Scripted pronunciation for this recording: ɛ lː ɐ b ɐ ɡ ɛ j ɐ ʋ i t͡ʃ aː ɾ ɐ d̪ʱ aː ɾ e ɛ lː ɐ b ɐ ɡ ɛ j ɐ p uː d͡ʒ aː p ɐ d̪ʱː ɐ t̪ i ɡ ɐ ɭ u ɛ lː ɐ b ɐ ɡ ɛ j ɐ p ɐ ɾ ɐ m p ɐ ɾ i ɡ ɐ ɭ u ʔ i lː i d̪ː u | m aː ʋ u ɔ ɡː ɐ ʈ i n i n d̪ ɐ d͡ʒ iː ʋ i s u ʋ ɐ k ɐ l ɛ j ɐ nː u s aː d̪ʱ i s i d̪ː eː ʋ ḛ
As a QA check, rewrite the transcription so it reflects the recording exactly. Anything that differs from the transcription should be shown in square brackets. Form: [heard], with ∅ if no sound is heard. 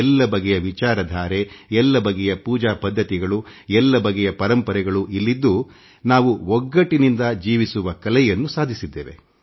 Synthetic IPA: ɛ lː ɐ b ɐ ɡ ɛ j ɐ ʋ i t͡ʃ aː ɾ ɐ d̪ʱ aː ɾ e ɛ lː ɐ b ɐ ɡ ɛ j ɐ p uː d͡ʒ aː p ɐ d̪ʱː ɐ t̪ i ɡ ɐ ɭ u ɛ lː ɐ b ɐ ɡ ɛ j ɐ p ɐ ɾ ɐ m p ɐ ɾ [ɛ] ɡ ɐ ɭ u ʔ i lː i d̪ː u | [n] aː ʋ u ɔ ɡː ɐ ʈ i n i n d̪ ɐ d͡ʒ iː ʋ i s u ʋ ɐ k ɐ l ɛ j ɐ nː u s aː d̪ʱ i s i d̪ː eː ʋ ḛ